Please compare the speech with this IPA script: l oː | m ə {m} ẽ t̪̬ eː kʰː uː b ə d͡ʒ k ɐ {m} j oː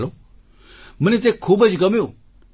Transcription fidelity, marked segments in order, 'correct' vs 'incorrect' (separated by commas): incorrect, correct